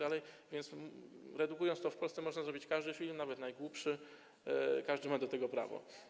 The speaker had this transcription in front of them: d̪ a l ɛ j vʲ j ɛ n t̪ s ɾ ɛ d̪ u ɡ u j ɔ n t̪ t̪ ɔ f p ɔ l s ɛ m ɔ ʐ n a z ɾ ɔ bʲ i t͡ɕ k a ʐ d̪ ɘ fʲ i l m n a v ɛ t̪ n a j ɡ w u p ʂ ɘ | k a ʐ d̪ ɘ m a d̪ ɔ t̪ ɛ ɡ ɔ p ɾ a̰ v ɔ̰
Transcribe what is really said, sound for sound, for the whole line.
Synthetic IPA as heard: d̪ a l ɛ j vʲ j ɛ n t̪ s ɾ ɛ d̪ u k u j ɔ n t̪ t̪ ɔ f p ɔ l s ɛ m ɔ ʐ n a z ɾ ɔ bʲ i t͡ɕ k a ʐ d̪ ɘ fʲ i l m n a v ɛ t̪ n a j ɡ w u p ʂ ɘ | k a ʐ d̪ ɘ m a d̪ ɔ t̪ ɛ ɡ ɔ p ɾ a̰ v ɔ̰